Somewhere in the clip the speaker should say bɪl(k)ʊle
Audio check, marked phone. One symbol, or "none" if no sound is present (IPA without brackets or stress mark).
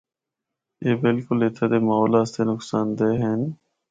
k